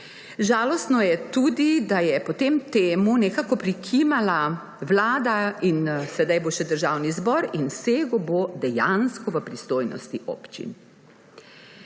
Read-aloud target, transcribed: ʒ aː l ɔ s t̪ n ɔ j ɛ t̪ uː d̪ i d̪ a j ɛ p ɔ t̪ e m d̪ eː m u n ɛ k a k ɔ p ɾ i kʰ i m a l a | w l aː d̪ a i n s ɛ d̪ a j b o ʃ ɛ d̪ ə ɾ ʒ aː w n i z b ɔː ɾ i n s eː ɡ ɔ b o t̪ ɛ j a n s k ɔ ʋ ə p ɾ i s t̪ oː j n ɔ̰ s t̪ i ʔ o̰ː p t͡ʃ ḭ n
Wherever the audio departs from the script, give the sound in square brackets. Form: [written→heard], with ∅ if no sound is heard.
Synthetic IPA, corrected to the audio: ʒ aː l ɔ s t̪ n ɔ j ɛ t̪ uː d̪ i d̪ a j ɛ p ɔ t̪ e m [d̪→t̪] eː m u n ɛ k a k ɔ p ɾ i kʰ i m a l a | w l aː d̪ a i n s ɛ d̪ a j b o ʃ ɛ d̪ ə ɾ ʒ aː w n i z b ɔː ɾ i n s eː ɡ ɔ b o [t̪→d̪] ɛ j a n s k ɔ ʋ ə p ɾ i s t̪ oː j n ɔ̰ s t̪ i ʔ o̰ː p t͡ʃ ḭ n